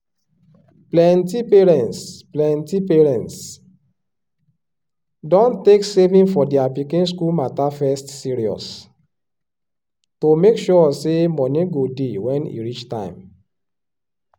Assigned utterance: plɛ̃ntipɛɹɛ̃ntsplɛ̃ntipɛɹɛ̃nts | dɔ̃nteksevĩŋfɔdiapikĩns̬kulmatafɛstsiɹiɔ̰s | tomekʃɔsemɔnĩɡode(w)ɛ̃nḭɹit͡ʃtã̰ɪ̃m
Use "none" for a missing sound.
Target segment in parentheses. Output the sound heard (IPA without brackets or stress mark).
w